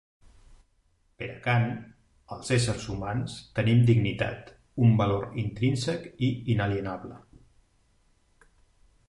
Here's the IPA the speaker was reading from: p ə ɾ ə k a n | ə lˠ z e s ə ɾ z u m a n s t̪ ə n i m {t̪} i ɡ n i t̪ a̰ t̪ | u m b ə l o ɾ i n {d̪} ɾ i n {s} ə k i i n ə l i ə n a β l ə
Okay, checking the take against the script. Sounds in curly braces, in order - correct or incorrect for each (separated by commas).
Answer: incorrect, incorrect, correct